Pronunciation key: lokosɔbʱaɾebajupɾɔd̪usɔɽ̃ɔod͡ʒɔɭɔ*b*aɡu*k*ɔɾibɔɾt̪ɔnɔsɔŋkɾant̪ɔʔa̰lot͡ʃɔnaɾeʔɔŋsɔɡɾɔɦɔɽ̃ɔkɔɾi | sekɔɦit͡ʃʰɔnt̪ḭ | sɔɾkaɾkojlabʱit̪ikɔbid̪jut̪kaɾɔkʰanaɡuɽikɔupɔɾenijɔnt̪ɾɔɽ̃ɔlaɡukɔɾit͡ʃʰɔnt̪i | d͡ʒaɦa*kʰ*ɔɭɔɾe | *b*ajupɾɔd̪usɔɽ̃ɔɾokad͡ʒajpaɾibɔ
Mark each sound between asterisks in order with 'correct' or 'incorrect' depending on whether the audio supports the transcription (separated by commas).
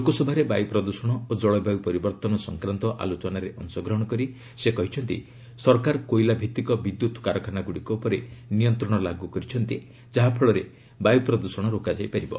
correct, incorrect, incorrect, correct